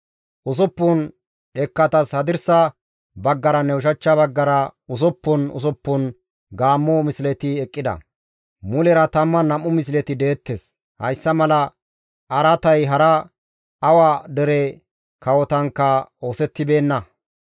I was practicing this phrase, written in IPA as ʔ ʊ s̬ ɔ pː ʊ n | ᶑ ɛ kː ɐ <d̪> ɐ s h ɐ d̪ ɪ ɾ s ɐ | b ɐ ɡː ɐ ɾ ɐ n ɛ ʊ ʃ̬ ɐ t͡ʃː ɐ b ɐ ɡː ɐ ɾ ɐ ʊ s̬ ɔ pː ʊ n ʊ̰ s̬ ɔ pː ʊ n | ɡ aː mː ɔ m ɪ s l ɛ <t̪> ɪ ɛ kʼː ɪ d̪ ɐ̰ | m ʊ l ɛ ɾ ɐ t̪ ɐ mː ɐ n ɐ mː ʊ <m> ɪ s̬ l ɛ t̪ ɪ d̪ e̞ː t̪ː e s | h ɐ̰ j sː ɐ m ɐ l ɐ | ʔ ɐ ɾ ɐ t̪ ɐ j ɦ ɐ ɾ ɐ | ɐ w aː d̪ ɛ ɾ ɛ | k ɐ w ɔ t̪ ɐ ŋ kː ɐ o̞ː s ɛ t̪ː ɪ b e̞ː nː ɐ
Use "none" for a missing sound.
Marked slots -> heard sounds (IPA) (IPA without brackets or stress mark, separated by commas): t̪, t̪, m